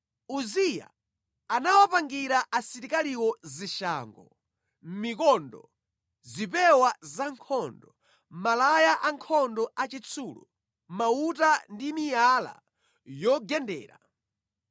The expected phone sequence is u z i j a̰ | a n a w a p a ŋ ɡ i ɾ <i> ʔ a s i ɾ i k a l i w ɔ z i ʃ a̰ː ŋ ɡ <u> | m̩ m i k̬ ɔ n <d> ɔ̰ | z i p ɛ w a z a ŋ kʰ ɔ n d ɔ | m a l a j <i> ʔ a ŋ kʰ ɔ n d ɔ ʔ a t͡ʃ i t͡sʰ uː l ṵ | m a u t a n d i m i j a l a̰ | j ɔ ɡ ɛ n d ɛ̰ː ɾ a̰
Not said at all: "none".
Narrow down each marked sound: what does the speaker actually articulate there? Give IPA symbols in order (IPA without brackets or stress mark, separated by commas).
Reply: a, ɔ, d, a